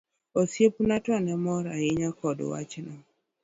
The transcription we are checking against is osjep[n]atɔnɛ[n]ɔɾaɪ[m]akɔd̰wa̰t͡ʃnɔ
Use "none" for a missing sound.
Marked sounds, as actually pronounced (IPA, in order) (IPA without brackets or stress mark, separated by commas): n, m, ɲ